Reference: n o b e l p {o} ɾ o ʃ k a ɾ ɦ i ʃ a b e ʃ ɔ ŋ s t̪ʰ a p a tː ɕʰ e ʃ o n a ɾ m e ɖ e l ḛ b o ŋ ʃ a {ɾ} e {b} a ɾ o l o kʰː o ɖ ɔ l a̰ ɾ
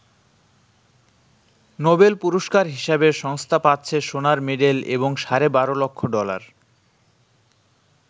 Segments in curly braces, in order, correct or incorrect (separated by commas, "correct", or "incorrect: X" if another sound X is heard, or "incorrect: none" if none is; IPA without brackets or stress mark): incorrect: u, correct, correct